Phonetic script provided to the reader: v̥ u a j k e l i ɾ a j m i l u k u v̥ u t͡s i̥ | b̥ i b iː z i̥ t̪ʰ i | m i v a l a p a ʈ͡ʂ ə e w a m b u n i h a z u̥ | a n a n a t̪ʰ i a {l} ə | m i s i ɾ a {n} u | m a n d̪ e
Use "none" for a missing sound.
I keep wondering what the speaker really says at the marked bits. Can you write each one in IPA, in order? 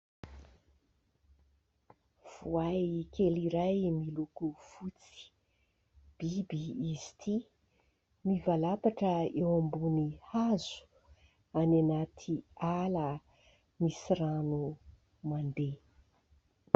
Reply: l, n

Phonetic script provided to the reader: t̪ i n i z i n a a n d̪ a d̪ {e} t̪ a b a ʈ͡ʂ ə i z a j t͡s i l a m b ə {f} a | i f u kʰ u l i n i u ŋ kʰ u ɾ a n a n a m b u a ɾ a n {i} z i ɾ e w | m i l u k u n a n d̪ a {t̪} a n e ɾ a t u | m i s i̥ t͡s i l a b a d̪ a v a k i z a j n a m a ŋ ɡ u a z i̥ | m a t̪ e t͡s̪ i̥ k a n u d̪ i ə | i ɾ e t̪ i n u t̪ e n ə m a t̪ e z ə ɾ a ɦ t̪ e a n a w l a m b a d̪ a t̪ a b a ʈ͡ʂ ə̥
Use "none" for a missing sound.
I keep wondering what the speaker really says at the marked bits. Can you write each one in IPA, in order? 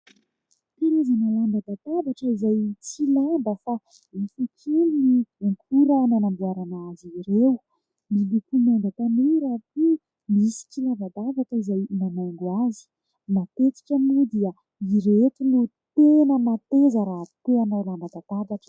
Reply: a, f, a, t̪

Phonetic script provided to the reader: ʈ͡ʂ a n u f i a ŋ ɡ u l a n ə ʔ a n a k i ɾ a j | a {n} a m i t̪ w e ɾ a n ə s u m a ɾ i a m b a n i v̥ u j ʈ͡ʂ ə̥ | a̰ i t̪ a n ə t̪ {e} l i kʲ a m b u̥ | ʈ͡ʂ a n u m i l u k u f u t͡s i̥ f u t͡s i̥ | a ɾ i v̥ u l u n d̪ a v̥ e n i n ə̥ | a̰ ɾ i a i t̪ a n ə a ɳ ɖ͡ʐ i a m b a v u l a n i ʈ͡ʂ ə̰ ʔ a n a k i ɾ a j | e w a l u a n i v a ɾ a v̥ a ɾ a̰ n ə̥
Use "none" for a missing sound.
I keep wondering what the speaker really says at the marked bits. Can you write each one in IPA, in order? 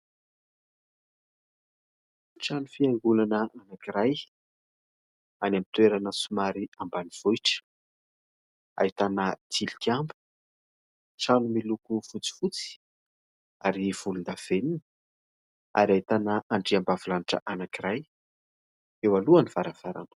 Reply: n, i

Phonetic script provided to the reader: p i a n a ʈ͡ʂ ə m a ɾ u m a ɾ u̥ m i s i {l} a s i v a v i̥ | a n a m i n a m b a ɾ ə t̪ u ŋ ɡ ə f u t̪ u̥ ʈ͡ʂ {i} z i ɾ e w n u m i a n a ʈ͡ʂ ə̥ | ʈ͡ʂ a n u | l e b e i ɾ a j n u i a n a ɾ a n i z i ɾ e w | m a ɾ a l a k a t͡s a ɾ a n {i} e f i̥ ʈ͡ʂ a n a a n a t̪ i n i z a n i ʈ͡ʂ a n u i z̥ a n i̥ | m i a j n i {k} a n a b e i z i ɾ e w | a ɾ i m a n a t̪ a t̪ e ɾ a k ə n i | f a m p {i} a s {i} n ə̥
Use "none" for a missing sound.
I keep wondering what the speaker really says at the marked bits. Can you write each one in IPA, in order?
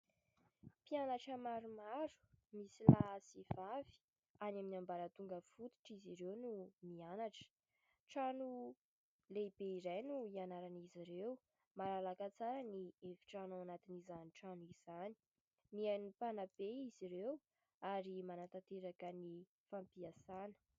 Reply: l, i, i, p, i, a

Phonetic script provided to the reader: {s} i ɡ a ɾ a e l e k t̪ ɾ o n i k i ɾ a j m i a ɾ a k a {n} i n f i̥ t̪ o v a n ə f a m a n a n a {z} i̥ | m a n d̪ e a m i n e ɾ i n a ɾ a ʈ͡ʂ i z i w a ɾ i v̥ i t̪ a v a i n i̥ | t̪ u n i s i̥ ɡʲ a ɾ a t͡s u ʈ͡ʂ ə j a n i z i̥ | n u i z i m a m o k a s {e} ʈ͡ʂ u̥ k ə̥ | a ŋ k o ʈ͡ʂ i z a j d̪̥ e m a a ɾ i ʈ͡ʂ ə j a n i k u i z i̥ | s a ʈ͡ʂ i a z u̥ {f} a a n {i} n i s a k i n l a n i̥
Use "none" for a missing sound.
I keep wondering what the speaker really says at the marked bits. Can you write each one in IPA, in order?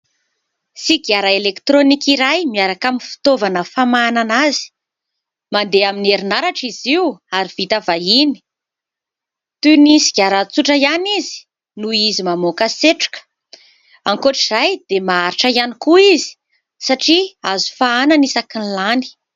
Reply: s, m, z, e, f, a

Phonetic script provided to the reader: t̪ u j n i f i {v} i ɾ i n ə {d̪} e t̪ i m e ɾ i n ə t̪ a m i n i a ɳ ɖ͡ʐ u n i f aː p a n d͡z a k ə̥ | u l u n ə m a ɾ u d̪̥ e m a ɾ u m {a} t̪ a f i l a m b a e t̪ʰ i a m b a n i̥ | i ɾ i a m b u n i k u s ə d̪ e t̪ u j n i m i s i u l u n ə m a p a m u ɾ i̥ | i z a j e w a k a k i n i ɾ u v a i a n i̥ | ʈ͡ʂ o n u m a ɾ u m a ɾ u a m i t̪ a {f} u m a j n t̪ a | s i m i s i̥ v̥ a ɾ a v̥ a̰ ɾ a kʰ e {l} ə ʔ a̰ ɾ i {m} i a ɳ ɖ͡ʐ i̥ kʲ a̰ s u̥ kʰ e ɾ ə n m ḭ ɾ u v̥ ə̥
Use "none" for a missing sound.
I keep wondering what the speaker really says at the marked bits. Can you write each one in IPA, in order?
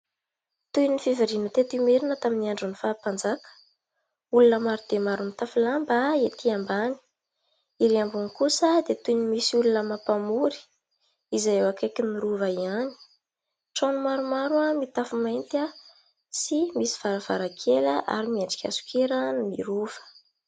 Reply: v, t̪, i, f, l, m

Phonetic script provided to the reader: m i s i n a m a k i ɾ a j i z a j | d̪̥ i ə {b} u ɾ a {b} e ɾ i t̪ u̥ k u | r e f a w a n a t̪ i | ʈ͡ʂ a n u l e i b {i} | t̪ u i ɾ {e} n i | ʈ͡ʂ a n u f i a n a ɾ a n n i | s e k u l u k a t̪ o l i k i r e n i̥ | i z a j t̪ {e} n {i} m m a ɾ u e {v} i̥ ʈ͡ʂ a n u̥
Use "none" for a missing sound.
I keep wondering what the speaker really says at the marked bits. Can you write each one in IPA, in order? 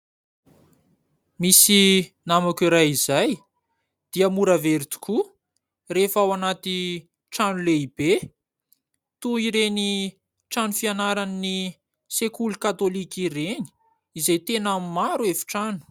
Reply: m, v, e, e, e, a, f

